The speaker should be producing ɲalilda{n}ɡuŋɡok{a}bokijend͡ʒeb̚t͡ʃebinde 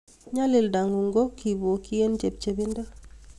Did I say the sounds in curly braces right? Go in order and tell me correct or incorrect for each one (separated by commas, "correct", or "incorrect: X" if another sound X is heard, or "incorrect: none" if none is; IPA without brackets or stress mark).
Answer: incorrect: ŋ, incorrect: i